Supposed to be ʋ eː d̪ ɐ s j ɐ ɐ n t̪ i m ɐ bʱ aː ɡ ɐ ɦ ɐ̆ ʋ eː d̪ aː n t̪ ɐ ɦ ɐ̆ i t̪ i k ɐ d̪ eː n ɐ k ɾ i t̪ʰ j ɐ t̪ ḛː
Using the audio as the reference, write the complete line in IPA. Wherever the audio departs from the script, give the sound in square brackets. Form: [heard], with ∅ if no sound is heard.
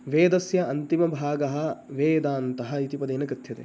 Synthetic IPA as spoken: ʋ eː d̪ ɐ s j ɐ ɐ n t̪ i m ɐ bʱ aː ɡ ɐ ɦ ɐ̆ ʋ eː d̪ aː n t̪ ɐ ɦ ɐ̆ i t̪ i [p] ɐ d̪ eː n ɐ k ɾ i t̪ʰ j ɐ t̪ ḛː